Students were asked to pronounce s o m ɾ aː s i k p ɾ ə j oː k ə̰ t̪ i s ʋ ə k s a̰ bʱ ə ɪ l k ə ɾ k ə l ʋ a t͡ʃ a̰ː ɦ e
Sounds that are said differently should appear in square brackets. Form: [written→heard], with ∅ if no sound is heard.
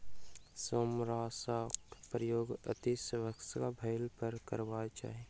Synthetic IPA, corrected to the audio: s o m ɾ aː s [i→a] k p ɾ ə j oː [k→ɡ] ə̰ t̪ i s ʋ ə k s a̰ bʱ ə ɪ l [k→p] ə ɾ k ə [l→ɾ] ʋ a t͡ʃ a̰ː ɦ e

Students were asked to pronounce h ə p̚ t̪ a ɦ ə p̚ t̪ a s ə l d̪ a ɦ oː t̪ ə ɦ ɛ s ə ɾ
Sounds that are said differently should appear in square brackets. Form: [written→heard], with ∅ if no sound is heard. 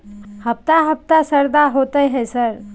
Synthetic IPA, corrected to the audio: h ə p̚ t̪ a ɦ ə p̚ t̪ a s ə [l→ɾ] d̪ a ɦ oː t̪ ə ɦ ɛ s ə ɾ

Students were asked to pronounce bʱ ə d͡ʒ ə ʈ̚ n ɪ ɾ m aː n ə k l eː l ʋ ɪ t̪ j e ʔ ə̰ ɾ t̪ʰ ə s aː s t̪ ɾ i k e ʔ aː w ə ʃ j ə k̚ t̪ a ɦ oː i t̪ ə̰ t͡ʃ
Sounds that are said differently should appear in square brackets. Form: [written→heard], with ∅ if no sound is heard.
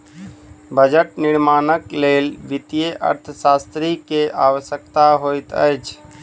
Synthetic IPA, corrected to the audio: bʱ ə d͡ʒ ə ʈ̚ n ɪ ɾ m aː n ə k l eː l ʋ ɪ t̪ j e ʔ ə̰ ɾ t̪ʰ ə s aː s t̪ ɾ i k e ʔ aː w ə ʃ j ə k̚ t̪ a ɦ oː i t̪ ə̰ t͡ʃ

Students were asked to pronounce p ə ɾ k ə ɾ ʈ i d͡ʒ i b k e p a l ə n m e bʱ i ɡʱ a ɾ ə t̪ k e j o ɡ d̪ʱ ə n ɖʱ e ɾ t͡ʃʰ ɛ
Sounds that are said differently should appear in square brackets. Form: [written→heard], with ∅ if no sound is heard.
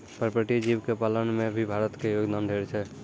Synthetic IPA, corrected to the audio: p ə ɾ [k→p] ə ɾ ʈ i d͡ʒ i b k e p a l ə n m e bʱ i [ɡʱ→bʱ] a ɾ ə t̪ k e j o ɡ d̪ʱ [ə→a] n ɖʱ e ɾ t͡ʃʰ ɛ

